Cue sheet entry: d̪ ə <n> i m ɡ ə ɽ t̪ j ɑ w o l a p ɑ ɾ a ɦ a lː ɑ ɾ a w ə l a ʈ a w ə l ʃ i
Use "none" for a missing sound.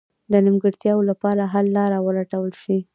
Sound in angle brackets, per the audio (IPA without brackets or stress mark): n